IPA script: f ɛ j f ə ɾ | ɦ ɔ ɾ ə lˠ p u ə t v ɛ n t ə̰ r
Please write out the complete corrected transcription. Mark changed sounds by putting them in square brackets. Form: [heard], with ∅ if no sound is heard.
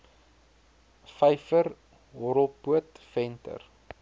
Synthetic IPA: f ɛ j f ə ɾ | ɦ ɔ ɾ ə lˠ p u ə t [f] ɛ n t ə̰ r